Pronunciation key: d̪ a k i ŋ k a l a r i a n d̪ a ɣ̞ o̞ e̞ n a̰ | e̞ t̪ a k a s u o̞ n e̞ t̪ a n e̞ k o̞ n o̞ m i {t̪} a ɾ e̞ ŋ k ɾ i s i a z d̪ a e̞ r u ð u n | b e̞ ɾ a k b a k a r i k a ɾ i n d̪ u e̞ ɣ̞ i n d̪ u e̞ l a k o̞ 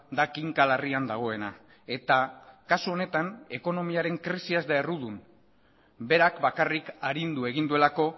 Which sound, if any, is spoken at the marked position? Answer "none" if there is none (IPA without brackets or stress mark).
none